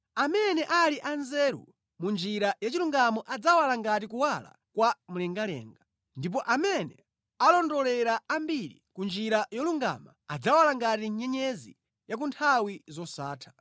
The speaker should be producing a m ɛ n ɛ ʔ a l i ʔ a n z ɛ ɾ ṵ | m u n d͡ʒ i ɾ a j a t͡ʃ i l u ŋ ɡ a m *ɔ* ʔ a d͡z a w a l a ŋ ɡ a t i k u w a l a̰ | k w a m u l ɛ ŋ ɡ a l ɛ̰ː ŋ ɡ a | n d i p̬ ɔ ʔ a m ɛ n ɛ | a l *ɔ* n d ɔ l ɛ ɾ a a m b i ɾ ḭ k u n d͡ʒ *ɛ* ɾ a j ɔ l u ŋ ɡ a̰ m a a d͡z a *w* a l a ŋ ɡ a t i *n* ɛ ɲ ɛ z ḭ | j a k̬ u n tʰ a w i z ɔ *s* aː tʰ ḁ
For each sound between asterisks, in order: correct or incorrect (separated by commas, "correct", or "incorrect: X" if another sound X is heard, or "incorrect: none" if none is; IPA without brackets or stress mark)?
correct, correct, incorrect: i, correct, incorrect: ɲ, correct